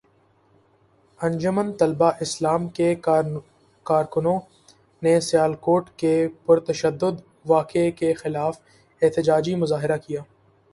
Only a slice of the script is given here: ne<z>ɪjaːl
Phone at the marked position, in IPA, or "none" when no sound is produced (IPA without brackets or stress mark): s